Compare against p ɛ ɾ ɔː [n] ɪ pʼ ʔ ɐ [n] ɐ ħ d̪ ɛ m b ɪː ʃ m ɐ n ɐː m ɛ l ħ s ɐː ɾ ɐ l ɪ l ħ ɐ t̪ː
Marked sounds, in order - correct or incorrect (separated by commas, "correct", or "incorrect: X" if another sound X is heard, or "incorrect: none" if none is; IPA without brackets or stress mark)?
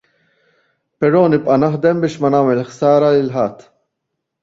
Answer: correct, correct